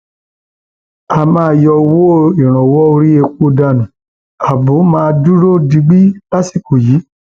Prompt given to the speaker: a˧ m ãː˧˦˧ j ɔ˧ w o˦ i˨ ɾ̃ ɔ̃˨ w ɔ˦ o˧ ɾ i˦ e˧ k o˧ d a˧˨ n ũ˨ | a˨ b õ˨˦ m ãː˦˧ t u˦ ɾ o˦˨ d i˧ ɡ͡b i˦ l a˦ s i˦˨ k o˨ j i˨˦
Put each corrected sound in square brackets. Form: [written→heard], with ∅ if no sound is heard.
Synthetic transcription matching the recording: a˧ m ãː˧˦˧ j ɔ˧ w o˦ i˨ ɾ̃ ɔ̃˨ w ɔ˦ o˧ ɾ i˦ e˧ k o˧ d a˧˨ n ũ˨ | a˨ b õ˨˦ m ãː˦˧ [t→d] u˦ ɾ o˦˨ d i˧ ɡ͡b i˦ l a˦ s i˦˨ k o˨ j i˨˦

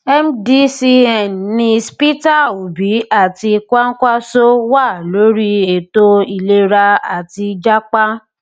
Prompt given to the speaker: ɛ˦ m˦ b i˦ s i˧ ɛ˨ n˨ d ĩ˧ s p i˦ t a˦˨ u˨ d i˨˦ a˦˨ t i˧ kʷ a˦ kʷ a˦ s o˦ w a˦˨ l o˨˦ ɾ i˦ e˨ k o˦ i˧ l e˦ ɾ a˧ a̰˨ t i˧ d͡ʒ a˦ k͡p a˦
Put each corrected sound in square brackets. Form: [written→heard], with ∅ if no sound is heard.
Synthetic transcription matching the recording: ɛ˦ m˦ [b→d] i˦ s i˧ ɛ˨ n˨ [d→n] ĩ˧ s p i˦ t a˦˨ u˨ [d→b] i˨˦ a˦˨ t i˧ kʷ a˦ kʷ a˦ s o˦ w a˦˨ l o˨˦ ɾ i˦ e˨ [k→t] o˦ i˧ l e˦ ɾ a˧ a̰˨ t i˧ d͡ʒ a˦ k͡p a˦

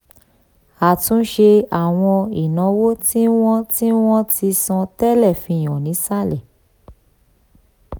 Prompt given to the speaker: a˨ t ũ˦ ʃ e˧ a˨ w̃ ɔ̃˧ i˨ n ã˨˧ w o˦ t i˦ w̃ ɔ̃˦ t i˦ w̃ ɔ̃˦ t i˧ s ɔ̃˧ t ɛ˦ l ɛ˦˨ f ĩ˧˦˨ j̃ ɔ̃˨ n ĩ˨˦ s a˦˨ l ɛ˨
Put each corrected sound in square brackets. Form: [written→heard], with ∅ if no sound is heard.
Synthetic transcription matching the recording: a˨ t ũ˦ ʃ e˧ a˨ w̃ ɔ̃˧ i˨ n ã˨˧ w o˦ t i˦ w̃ ɔ̃˦ t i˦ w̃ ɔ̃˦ t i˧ s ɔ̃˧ t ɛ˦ l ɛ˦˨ f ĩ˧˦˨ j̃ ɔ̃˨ n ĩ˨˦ s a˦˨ l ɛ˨

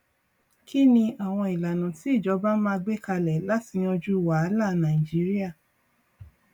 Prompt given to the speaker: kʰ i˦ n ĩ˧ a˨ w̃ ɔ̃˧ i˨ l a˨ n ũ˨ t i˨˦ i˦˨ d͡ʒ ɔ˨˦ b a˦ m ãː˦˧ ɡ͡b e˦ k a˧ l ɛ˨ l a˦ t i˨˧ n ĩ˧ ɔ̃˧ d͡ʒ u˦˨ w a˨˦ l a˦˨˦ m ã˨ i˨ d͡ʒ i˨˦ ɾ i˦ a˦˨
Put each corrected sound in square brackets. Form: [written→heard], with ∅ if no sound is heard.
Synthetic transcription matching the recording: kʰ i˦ n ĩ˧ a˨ w̃ ɔ̃˧ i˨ l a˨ n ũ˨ t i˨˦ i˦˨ d͡ʒ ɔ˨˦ b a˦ m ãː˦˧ ɡ͡b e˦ k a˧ l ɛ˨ l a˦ t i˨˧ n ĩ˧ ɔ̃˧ d͡ʒ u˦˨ w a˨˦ l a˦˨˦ [m→n] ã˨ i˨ d͡ʒ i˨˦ ɾ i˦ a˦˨

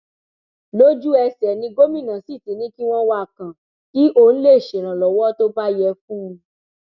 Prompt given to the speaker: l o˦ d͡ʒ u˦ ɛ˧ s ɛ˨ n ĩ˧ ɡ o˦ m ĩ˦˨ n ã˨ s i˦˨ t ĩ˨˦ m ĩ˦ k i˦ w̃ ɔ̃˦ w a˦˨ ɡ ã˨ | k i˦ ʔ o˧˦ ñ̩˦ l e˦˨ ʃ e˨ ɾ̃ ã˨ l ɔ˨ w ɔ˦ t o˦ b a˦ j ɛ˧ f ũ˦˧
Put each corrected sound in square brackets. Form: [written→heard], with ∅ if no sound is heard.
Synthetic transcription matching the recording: l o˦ d͡ʒ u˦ ɛ˧ s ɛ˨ n ĩ˧ ɡ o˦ m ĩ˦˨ n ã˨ s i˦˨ t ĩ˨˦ [m→n] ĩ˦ k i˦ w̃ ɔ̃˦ w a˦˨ [ɡ→k] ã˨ | k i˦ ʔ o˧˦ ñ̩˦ l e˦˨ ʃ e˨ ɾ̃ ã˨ l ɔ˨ w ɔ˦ t o˦ b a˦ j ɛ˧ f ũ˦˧

